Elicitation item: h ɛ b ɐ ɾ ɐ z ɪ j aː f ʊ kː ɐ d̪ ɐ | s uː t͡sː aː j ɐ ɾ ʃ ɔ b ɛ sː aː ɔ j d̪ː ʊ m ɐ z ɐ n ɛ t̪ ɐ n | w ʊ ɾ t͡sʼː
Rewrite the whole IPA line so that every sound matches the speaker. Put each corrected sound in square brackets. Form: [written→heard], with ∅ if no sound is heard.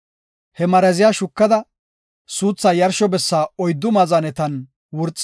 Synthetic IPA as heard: h ɛ [b→m] ɐ ɾ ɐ z ɪ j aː [f→ʃ] ʊ kː ɐ d̪ ɐ | s uː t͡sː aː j ɐ ɾ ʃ ɔ b ɛ sː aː ɔ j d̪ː ʊ m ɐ z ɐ n ɛ t̪ ɐ n | w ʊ ɾ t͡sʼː